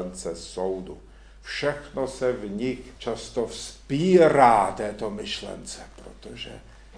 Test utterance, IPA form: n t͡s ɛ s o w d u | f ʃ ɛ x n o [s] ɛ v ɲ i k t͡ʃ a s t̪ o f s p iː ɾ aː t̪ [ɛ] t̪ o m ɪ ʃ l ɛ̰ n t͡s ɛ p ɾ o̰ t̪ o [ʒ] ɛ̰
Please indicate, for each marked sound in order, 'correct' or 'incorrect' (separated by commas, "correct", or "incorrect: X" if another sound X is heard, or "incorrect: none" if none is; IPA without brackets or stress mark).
correct, incorrect: ɛː, correct